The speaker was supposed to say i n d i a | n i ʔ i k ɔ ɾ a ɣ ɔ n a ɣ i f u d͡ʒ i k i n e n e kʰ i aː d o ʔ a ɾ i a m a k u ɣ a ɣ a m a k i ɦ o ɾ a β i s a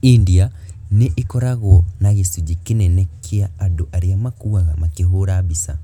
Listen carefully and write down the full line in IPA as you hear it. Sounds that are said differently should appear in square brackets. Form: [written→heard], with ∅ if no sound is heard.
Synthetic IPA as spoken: i n d i a | n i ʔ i k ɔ ɾ a ɣ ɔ n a ɣ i [f→s] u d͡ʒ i k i n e n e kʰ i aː d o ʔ a ɾ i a m a k u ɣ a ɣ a m a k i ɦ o ɾ a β i s a